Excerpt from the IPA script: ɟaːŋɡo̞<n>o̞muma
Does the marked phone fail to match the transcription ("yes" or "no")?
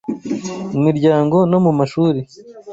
no